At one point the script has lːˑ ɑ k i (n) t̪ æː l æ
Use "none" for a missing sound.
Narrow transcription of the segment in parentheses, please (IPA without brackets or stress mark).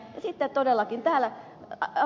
n